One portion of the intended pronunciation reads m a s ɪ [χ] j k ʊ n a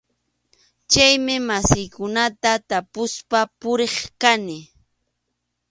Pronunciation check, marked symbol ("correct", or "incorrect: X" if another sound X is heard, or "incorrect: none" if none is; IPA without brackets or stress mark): incorrect: none